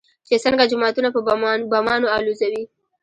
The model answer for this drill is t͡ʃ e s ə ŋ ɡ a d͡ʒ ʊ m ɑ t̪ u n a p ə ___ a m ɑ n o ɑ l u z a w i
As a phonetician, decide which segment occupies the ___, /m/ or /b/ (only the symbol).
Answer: b